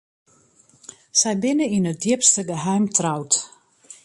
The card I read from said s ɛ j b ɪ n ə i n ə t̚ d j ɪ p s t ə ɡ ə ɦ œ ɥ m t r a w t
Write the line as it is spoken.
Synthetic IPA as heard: s ɛ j b ɪ n ə i n ə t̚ d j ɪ p s t ə ɡ ə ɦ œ ɥ m t r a w t